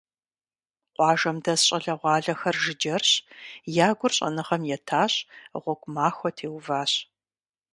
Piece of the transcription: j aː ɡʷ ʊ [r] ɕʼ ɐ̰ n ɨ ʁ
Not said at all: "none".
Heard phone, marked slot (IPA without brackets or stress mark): r